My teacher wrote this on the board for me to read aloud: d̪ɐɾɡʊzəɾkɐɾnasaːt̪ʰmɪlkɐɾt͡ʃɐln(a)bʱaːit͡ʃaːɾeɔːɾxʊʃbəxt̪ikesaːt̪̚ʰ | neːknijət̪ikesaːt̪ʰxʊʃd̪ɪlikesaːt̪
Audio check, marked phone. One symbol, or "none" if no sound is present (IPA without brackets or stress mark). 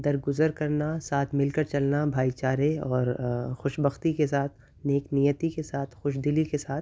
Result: a